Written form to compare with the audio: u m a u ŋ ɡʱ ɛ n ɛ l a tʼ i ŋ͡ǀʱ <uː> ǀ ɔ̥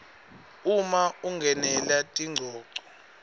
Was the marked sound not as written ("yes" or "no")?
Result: yes